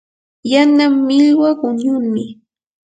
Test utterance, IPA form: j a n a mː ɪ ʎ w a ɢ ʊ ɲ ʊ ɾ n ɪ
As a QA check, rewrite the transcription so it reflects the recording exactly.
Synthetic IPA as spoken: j a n a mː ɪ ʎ w a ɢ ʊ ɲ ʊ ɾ m ɪ